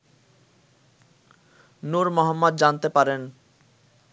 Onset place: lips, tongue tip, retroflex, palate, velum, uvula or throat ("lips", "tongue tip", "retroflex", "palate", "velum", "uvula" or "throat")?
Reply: tongue tip